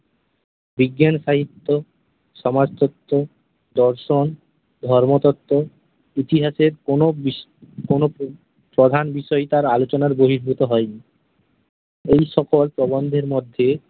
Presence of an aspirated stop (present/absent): absent